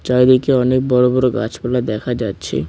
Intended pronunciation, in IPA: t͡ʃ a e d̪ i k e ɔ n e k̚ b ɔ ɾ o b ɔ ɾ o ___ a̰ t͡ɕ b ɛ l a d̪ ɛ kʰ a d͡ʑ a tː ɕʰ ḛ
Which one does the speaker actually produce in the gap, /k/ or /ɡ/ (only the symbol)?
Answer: ɡ